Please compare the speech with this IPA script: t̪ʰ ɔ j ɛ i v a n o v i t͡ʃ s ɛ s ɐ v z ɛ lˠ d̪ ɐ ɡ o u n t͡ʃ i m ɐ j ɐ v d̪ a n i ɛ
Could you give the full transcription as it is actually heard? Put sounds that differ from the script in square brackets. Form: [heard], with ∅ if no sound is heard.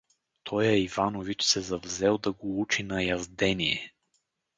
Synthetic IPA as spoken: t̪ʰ ɔ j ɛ i v a n o v i t͡ʃ s ɛ [z] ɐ v z ɛ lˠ d̪ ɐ ɡ o u [∅] t͡ʃ i [n] ɐ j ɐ [z] d̪ [ɛ] n i ɛ